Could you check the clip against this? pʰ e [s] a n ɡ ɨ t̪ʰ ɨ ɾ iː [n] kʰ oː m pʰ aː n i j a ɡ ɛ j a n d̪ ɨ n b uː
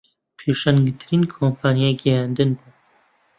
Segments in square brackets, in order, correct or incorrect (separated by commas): incorrect, correct